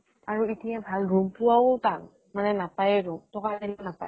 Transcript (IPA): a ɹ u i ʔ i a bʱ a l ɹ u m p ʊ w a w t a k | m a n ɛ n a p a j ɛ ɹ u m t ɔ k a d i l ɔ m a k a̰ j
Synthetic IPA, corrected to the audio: a ɹ u i t i a bʱ a l ɹ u m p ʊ w a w t a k | m a n ɛ n a p a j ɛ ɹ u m t ɔ k a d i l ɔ n a p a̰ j